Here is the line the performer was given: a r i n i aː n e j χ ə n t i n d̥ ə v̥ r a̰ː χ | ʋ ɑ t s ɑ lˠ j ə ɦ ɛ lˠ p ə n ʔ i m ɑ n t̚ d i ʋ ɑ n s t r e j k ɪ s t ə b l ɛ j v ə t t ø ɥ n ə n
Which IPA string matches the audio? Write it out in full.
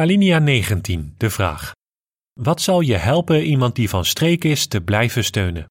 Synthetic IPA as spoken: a l i n i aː n e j χ ə n t i n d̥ ə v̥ r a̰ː χ | ʋ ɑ t s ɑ lˠ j ə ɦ ɛ lˠ p ə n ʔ i m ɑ n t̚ d i v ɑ n s t r e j k ɪ s t ə b l ɛ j v ə s t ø ɥ n ə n